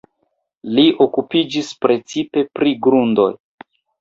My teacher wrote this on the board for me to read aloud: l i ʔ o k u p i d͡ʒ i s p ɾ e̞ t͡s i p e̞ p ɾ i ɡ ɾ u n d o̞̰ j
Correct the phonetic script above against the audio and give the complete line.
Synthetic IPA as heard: l i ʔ o k u p i d͡ʒ i s p ɾ e̞ t͡s i p e̞ p ɾ i ɡ ɾ u n d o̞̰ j